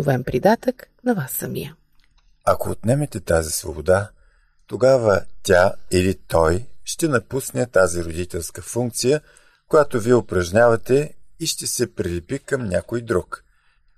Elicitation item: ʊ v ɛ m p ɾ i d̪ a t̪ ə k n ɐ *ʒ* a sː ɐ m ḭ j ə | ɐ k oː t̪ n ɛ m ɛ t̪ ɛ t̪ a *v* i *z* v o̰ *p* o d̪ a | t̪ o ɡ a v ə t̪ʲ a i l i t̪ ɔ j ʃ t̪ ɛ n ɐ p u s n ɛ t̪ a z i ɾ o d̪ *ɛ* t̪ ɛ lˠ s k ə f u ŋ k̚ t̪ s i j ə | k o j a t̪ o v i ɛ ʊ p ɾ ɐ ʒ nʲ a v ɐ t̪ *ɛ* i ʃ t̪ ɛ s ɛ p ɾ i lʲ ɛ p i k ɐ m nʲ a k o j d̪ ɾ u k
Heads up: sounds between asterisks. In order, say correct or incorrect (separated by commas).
incorrect, incorrect, incorrect, incorrect, incorrect, correct